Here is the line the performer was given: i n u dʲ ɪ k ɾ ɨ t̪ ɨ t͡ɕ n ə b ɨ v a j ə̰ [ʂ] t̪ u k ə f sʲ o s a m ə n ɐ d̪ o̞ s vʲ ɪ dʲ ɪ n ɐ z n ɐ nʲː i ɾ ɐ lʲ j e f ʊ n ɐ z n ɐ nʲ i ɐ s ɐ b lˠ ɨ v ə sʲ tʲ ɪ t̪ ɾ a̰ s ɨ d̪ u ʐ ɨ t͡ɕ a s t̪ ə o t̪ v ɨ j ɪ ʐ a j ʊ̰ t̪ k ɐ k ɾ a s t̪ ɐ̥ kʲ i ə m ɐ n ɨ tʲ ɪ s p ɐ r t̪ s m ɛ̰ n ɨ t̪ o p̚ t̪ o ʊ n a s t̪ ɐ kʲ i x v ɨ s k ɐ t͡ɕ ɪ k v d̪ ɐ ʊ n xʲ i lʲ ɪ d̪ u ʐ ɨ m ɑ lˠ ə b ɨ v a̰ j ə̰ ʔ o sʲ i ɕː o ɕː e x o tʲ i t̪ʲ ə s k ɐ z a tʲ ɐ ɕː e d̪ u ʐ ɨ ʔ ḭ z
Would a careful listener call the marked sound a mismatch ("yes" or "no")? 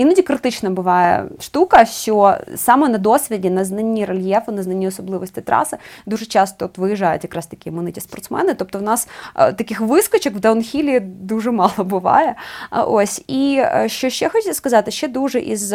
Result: no